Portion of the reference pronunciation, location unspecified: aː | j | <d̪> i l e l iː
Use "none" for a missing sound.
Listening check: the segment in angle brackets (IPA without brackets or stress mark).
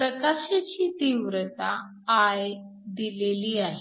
d̪